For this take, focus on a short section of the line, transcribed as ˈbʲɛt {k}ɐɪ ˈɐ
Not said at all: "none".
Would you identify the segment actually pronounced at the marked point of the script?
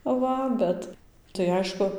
t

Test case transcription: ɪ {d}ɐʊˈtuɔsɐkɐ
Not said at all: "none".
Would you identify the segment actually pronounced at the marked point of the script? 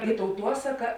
t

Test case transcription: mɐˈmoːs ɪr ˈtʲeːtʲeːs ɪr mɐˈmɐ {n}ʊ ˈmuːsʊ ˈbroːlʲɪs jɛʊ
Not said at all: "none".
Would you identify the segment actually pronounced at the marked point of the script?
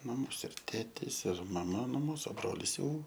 n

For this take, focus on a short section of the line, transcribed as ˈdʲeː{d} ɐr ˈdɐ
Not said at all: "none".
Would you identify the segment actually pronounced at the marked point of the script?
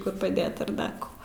t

